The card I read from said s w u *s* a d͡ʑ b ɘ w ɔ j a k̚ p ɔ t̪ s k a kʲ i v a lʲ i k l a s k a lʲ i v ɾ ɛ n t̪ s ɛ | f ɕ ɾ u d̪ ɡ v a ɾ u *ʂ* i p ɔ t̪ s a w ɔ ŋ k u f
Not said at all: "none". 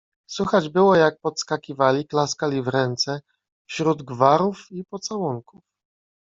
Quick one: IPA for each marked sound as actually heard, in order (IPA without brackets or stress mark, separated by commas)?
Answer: x, f